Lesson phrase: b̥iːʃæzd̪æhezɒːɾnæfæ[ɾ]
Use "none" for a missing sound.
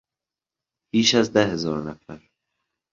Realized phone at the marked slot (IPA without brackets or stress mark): ɾ